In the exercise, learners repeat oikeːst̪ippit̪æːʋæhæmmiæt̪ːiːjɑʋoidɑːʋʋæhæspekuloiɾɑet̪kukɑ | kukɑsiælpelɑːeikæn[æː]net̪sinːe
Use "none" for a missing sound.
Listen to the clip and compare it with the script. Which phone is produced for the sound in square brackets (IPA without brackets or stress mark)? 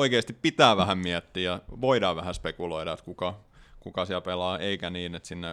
iː